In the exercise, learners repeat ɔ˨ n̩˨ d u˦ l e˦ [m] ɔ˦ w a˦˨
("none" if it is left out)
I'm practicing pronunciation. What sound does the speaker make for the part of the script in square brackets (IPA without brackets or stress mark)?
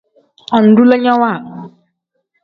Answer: ɲ